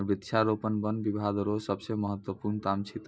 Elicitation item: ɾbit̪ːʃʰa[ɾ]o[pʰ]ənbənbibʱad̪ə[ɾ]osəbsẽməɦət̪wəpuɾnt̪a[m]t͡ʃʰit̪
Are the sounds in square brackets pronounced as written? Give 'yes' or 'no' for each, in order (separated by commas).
yes, no, yes, yes